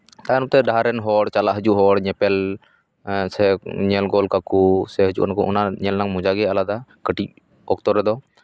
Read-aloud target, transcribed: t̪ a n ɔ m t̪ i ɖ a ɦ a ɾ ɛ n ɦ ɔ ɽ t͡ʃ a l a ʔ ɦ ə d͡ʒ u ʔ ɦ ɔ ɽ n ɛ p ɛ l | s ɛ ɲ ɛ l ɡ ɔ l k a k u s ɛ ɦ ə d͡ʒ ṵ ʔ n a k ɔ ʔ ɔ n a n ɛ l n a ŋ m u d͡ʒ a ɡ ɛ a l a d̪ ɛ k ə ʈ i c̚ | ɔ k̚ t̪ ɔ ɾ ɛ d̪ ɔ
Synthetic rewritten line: t̪ a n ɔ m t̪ ɛ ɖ a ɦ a ɾ ɛ n ɦ ɔ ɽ t͡ʃ a l a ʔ ɦ ə d͡ʒ u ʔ ɦ ɔ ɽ ɲ ɛ p ɛ l | s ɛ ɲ ɛ l ɡ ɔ l k a k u s ɛ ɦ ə d͡ʒ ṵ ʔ n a k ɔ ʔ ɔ n a ɲ ɛ l n a ŋ m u d͡ʒ a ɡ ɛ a l a d̪ a k ə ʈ i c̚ | ɔ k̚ t̪ ɔ ɾ ɛ d̪ ɔ